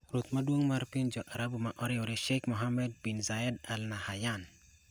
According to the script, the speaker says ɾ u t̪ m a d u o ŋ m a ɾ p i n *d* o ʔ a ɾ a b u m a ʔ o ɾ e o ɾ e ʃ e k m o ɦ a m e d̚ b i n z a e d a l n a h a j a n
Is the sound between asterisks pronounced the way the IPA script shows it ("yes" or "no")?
no